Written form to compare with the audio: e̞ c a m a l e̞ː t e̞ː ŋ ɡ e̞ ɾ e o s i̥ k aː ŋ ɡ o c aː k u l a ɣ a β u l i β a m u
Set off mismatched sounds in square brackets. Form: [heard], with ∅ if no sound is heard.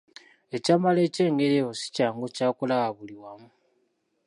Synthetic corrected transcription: e̞ c a m a l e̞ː [c] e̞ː ŋ ɡ e̞ ɾ e o s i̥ [c] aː ŋ ɡ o c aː k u l a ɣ a β u l i [w] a m u